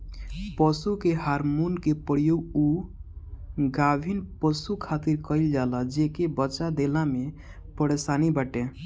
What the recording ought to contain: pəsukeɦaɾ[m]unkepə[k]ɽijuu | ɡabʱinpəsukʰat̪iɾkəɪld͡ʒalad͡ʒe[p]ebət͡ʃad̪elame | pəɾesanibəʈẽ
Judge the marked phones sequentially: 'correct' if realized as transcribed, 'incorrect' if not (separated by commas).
correct, incorrect, incorrect